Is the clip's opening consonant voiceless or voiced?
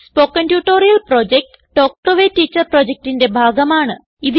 voiceless